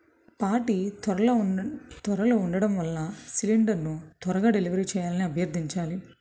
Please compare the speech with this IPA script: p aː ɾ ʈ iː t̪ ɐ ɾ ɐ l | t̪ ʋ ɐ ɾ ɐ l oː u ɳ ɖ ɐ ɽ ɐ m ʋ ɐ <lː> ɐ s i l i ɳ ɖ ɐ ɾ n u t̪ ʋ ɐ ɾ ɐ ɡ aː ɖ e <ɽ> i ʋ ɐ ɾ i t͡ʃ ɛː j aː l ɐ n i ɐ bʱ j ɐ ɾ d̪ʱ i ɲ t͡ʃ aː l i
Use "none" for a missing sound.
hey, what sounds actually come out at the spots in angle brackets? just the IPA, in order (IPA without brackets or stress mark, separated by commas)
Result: lː, l